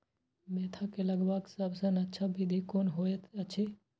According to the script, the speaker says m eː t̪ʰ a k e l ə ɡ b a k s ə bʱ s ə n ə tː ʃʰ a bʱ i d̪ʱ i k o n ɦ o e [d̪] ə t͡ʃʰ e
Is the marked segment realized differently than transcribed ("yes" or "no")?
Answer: yes